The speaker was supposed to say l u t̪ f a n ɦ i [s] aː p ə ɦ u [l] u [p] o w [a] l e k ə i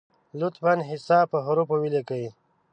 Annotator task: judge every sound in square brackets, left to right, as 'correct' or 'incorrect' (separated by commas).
correct, incorrect, correct, incorrect